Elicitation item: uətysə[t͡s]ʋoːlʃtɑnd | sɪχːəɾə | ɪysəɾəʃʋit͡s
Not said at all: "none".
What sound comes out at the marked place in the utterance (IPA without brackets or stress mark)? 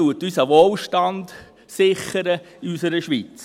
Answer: none